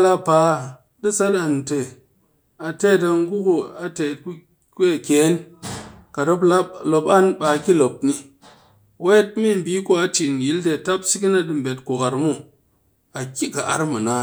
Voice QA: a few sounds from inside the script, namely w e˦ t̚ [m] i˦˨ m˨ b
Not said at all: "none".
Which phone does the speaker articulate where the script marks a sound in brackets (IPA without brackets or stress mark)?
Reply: m